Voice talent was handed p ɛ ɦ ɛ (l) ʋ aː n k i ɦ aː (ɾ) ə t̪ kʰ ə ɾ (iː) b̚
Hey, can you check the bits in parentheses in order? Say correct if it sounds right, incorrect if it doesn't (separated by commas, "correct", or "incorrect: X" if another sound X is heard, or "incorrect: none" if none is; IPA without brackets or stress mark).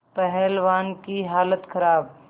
correct, incorrect: l, incorrect: aː